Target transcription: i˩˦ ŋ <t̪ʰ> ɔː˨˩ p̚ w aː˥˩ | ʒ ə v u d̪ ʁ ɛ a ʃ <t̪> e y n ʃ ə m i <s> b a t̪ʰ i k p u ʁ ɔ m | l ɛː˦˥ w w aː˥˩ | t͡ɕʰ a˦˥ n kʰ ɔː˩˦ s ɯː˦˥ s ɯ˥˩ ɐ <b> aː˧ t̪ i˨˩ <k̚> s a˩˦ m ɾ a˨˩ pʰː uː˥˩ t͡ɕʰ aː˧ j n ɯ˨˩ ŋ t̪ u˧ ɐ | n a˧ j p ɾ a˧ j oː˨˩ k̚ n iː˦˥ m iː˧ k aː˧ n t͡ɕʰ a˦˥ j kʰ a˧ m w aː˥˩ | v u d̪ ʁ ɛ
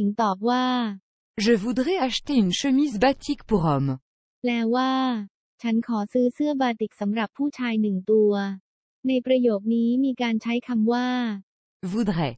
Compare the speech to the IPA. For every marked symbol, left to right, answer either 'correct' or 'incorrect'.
incorrect: t̪, correct, incorrect: z, correct, correct

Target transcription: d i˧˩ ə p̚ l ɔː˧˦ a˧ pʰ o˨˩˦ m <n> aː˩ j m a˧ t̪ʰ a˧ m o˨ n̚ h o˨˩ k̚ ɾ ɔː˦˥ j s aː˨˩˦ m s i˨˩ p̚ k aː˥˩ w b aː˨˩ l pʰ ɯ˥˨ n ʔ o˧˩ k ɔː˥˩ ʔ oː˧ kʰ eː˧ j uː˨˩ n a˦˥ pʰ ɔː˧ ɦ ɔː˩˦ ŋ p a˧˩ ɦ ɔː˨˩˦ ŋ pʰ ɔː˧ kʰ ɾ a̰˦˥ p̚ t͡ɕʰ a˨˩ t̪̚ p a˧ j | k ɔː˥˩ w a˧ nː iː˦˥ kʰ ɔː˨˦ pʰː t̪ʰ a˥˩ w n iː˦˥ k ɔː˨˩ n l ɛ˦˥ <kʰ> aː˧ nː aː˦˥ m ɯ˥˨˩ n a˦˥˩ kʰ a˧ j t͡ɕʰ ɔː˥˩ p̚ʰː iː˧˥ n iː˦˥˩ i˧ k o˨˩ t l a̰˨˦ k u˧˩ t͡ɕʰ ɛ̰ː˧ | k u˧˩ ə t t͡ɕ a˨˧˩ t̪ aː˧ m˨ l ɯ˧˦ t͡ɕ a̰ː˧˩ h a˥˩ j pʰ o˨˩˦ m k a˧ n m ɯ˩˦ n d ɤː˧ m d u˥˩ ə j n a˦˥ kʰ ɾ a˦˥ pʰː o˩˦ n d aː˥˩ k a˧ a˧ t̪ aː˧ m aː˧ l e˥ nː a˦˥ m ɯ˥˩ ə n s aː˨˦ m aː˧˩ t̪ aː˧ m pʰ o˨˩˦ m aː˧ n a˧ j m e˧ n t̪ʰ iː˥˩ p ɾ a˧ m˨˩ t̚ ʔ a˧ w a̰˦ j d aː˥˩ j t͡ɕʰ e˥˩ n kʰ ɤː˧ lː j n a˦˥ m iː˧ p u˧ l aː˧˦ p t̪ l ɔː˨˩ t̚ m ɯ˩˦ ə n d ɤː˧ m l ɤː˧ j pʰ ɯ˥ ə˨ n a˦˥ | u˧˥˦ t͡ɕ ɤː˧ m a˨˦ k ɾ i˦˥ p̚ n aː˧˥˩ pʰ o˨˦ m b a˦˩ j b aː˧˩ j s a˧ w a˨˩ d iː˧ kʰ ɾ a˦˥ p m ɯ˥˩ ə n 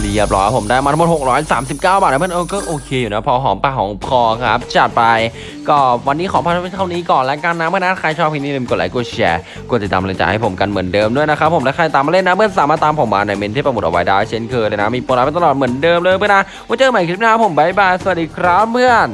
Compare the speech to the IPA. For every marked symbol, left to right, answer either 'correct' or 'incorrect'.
incorrect: d, incorrect: k

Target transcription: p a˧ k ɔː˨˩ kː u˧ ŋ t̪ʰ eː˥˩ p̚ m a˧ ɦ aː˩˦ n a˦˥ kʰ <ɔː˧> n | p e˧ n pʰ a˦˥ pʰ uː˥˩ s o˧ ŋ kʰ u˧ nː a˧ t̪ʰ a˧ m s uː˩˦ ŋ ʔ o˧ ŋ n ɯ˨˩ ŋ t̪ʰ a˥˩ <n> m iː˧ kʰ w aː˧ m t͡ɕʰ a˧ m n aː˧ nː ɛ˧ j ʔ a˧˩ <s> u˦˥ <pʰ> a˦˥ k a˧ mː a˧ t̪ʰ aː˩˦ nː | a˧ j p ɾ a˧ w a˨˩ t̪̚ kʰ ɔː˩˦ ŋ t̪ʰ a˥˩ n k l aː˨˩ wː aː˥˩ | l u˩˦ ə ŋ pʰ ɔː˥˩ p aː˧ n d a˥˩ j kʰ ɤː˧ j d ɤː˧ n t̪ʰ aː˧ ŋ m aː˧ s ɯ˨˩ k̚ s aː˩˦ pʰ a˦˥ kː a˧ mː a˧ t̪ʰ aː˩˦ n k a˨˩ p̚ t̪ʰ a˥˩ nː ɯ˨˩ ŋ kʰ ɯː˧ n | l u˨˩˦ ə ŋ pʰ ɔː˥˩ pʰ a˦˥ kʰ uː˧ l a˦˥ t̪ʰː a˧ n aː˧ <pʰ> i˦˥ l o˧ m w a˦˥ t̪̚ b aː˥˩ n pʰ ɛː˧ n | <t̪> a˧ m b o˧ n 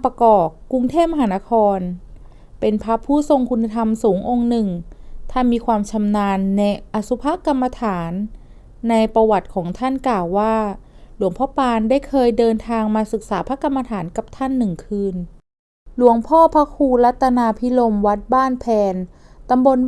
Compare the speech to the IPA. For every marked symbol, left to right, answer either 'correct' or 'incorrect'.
correct, correct, correct, correct, correct, correct

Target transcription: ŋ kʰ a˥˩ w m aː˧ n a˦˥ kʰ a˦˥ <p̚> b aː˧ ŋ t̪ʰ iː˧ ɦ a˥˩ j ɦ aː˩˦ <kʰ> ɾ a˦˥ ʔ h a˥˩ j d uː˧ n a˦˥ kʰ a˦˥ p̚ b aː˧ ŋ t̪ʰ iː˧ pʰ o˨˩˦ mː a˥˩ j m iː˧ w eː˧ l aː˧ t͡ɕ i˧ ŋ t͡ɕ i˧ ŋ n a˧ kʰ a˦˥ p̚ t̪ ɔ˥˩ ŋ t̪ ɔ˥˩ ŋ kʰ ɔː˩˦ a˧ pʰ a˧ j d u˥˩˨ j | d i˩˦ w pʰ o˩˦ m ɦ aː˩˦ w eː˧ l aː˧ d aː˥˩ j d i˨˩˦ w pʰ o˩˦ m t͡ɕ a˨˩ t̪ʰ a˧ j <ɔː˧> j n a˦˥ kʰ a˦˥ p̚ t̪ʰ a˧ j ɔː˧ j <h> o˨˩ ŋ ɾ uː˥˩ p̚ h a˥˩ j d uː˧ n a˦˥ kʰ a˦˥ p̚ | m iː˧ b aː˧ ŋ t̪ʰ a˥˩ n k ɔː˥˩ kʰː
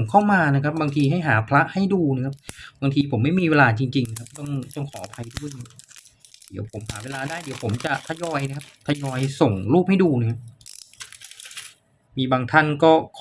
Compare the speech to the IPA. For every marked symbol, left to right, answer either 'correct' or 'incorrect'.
correct, incorrect: pʰ, correct, incorrect: s

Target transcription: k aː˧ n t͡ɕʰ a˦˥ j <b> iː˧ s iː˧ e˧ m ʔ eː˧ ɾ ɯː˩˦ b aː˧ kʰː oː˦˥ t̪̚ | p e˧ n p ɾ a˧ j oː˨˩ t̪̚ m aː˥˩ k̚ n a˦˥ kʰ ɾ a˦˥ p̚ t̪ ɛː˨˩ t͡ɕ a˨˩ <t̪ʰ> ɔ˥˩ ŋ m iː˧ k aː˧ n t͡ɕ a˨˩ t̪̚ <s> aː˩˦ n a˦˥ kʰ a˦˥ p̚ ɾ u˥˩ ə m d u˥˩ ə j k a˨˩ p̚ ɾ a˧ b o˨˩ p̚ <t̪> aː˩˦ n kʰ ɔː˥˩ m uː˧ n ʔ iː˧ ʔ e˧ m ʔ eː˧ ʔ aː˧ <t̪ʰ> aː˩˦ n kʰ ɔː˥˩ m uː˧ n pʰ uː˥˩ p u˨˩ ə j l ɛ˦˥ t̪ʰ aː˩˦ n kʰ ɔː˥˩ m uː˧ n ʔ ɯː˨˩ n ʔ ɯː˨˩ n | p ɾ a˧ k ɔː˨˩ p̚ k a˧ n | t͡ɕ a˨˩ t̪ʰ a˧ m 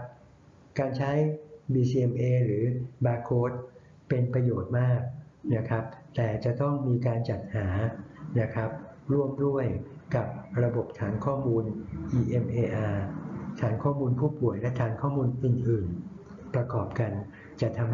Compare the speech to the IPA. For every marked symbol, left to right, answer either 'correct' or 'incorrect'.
correct, incorrect: t̪, incorrect: h, incorrect: t̪ʰ, correct

